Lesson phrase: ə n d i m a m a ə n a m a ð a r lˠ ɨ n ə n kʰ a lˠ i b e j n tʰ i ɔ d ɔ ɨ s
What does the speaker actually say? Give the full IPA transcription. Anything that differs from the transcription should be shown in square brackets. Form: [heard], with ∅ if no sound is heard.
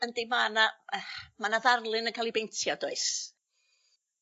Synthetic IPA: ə n d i m a [n] a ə [m] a [n] a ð a r lˠ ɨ n ə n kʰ a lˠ i b e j n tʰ [j] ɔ d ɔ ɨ s